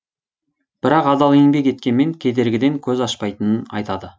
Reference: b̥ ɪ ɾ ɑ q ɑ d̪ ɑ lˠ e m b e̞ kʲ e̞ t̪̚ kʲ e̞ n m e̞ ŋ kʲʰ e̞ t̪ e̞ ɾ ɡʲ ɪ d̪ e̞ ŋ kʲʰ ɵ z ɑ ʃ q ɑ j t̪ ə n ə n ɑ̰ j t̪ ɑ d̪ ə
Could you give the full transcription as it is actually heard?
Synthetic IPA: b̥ ɪ ɾ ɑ q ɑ d̪ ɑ lˠ e ŋ b e̞ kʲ e̞ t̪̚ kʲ e̞ n m e̞ ŋ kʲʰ e̞ d̪ e̞ ɾ ɡʲ ɪ d̪ e̞ ŋ kʲʰ ɵ z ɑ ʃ p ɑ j t̪ ə n ə n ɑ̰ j t̪ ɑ d̪ ə